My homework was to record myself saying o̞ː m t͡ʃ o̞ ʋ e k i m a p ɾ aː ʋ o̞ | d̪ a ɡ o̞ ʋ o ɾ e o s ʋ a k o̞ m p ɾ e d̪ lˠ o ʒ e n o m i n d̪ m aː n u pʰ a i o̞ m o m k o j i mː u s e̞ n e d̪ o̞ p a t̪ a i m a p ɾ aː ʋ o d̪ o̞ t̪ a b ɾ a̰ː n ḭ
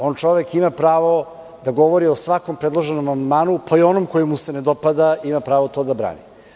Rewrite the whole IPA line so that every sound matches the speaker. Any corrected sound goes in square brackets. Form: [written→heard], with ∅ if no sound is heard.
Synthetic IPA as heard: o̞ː [m→n] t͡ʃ o̞ ʋ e k i m a p ɾ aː ʋ o̞ | d̪ a ɡ o̞ ʋ o ɾ [e→i] o s ʋ a k o̞ m p ɾ e d̪ lˠ o ʒ e n o m [i→a] n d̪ m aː n u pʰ a i o̞ [m→n] o m k o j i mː u s e̞ n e d̪ o̞ p a [t̪→d̪] a i m a p ɾ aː ʋ o [d̪→t̪] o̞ [t̪→d̪] a b ɾ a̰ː n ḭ